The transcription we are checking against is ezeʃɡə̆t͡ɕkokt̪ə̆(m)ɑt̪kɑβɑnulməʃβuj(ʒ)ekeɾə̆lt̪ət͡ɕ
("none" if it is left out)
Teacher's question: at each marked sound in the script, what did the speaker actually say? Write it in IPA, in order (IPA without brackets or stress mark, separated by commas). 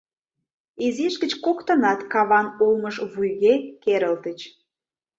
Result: n, ɣ